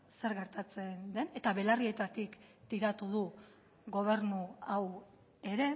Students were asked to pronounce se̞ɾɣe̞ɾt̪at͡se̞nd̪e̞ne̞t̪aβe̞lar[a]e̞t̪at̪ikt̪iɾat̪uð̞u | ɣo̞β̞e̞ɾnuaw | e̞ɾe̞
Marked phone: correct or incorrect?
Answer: incorrect: i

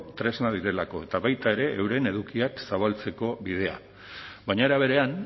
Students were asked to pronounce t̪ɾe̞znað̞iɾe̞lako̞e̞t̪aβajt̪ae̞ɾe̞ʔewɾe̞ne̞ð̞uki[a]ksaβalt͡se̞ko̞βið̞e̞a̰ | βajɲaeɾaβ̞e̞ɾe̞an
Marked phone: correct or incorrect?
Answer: correct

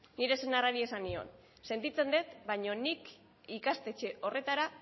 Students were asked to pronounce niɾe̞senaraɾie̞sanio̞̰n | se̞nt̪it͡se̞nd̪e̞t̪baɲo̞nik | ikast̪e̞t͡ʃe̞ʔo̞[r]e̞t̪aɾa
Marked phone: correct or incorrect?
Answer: correct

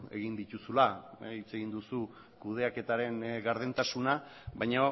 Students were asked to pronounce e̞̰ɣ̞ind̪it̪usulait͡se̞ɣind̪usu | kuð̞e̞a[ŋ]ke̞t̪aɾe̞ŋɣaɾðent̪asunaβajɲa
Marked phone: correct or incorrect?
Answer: incorrect: none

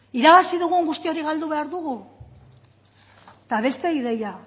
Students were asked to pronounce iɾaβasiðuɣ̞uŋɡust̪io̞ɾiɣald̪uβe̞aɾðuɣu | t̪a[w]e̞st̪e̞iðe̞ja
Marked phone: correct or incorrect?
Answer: incorrect: β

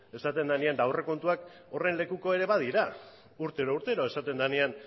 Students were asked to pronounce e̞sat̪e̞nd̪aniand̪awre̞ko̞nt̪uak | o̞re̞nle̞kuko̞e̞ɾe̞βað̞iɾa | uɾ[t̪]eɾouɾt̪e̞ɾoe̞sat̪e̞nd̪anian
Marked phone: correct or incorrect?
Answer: correct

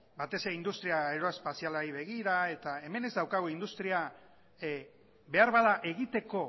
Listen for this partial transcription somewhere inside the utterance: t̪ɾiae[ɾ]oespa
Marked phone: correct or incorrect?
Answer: correct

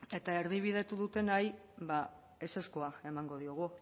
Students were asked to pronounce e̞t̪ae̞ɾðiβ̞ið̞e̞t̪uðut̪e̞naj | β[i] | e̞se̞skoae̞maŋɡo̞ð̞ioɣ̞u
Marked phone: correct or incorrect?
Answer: incorrect: a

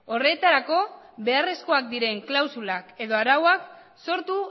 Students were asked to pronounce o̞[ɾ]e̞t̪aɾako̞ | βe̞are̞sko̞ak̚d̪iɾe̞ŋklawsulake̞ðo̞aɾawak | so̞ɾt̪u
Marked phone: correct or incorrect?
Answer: incorrect: r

